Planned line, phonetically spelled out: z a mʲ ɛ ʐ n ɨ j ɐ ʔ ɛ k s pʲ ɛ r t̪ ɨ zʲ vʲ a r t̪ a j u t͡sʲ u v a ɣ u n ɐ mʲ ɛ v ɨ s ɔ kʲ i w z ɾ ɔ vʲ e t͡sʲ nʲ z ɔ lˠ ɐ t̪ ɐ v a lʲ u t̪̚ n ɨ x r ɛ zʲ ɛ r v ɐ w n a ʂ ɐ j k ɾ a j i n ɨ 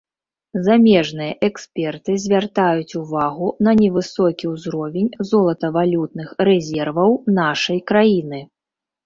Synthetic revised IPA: z a mʲ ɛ ʐ n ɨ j ɐ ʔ ɛ k s pʲ ɛ r t̪ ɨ zʲ vʲ a r t̪ a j u t͡sʲ u v a ɣ u n ɐ nʲ ɛ v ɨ s ɔ kʲ i w z ɾ ɔ vʲ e nʲ z ɔ lˠ ɐ t̪ ɐ v a lʲ u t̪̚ n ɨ x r ɛ zʲ ɛ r v ɐ w n a ʂ ɐ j k ɾ a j i n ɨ